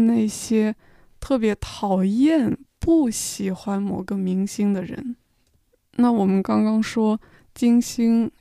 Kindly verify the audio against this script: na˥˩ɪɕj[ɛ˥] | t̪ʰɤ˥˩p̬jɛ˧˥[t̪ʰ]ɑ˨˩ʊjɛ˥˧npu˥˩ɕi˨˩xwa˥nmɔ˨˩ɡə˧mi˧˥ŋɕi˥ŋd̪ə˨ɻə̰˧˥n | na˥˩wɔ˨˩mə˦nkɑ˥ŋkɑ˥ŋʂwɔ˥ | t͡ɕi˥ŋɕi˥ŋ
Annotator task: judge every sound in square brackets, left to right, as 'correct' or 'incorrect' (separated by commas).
correct, correct